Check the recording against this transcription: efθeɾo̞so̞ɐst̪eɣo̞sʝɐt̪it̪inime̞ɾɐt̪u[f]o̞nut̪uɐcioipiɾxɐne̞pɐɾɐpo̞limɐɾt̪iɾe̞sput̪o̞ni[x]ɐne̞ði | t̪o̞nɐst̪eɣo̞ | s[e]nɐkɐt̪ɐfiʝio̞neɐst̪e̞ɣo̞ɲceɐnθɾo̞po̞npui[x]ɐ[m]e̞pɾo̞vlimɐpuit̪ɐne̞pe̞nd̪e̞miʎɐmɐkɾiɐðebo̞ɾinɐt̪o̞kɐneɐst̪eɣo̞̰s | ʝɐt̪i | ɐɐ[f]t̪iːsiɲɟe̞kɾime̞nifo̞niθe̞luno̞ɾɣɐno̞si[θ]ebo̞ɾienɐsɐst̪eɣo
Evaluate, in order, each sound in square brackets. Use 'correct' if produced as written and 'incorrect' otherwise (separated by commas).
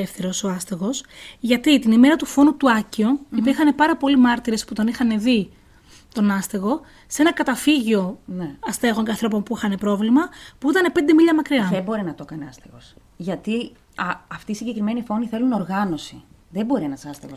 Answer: correct, correct, correct, correct, incorrect, correct, incorrect